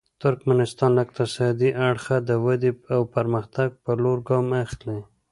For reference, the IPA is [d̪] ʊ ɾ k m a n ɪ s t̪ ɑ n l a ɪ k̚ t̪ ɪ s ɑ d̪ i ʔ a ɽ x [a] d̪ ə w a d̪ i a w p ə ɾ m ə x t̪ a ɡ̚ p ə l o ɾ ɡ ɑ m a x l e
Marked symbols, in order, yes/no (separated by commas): no, yes